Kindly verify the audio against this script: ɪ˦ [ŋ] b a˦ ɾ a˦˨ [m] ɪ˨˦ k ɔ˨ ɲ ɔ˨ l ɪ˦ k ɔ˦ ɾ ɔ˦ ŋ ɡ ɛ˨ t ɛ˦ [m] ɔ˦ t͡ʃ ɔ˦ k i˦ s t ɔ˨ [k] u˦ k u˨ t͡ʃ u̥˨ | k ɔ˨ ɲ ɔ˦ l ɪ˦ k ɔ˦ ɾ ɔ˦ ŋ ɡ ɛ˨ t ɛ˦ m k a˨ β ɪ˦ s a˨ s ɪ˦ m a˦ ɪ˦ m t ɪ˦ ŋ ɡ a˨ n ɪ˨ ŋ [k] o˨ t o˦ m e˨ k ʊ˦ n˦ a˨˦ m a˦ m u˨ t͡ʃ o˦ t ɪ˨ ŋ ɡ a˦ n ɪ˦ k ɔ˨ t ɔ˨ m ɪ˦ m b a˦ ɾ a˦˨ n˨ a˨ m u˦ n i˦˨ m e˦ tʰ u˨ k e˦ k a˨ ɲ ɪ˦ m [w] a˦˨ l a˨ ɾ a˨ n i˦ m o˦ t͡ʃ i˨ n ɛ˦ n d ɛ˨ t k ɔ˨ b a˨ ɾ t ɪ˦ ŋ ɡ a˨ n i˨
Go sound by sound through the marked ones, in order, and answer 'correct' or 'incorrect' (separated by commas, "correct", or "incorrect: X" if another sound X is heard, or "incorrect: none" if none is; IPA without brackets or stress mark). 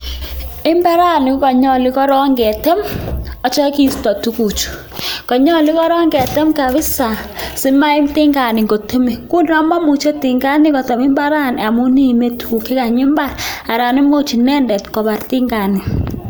incorrect: m, incorrect: n, correct, incorrect: t, incorrect: ɡ, incorrect: b